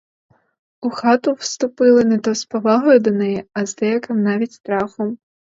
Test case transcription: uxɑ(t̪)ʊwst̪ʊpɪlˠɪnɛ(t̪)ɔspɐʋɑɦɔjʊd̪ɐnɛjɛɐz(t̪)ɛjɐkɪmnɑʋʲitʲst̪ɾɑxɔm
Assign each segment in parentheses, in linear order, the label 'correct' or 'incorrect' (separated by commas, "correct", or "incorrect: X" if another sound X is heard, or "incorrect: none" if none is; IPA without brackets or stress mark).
correct, correct, incorrect: d̪